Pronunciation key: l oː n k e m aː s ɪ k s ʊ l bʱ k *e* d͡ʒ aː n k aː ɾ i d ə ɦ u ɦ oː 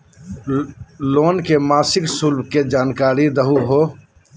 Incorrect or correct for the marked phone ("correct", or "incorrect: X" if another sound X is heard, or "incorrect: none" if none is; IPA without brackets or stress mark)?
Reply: correct